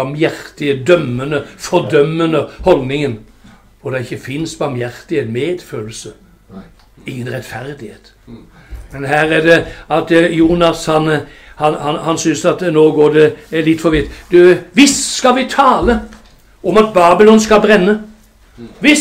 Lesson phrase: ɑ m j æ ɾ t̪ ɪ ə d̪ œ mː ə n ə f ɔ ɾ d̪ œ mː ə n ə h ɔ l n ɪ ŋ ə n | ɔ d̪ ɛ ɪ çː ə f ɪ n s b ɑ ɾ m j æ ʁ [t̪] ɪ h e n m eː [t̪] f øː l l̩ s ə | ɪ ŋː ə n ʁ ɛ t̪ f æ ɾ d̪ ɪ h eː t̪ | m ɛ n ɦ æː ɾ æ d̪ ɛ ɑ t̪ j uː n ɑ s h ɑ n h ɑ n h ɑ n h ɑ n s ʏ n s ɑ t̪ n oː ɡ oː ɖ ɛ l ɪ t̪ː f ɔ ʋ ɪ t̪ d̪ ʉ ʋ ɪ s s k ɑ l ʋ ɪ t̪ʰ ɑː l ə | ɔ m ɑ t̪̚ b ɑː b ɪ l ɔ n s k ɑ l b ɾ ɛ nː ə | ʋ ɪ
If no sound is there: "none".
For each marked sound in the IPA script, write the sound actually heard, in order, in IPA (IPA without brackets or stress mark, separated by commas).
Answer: t̪, d̪